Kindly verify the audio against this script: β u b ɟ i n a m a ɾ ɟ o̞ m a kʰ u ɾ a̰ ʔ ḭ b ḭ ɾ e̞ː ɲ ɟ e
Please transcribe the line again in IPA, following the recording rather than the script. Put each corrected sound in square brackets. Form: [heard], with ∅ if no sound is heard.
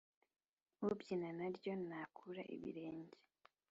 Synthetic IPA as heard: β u b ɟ i n a [n] a ɾ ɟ o̞ [n] a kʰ u ɾ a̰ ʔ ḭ [β] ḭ ɾ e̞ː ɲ ɟ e